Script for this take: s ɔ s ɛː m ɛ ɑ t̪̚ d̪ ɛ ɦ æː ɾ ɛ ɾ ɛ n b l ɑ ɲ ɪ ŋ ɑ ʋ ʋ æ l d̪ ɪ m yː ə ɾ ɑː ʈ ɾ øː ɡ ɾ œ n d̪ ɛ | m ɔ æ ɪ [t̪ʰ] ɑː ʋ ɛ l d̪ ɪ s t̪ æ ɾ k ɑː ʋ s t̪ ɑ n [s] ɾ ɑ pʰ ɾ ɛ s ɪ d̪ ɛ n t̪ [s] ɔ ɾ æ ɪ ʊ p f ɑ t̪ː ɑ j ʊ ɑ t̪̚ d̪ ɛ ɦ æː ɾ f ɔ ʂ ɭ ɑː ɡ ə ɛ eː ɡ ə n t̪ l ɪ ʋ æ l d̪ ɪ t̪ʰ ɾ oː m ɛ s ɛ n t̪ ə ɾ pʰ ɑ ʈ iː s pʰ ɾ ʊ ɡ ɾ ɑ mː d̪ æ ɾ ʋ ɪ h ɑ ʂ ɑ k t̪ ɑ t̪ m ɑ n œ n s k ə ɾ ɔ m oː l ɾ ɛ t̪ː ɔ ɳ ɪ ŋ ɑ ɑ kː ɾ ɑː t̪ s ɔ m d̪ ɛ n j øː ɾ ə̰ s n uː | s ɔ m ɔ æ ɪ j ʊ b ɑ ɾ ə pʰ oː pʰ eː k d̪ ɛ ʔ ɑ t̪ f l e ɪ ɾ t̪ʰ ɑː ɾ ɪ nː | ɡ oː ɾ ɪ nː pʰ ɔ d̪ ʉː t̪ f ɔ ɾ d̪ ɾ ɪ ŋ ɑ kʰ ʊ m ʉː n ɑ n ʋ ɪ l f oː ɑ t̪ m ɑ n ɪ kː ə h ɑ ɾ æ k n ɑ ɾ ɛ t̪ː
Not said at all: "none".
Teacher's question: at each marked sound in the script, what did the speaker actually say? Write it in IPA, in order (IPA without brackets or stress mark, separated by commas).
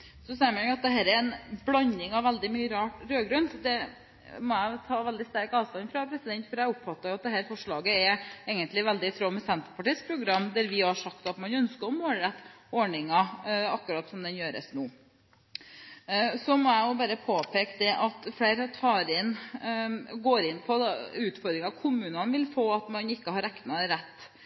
t̪ʰ, f, f